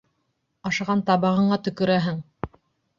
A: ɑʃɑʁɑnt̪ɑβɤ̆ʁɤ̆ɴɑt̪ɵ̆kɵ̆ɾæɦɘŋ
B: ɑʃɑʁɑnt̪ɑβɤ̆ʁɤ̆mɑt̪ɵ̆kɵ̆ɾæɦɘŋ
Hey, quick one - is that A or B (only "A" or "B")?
A